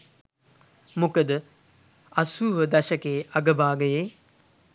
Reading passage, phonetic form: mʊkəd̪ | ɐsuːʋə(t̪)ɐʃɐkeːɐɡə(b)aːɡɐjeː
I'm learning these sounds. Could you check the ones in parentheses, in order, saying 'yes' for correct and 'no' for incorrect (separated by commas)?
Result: no, yes